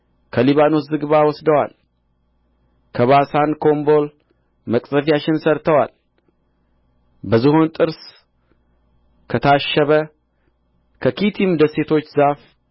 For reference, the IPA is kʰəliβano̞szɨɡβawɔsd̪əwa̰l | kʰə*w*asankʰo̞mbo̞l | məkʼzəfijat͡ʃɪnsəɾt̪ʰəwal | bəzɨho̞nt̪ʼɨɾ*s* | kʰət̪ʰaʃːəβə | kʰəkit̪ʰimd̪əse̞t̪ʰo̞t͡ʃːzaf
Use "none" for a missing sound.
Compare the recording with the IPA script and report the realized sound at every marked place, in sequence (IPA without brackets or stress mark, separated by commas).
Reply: β, s